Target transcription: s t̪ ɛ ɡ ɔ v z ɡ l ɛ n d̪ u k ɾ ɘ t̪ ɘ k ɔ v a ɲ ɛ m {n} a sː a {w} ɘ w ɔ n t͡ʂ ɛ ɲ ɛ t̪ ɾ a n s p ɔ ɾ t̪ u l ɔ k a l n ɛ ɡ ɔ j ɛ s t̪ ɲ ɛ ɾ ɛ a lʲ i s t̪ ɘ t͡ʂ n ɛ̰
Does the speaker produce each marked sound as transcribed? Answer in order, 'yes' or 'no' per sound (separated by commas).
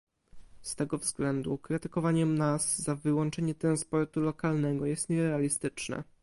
yes, no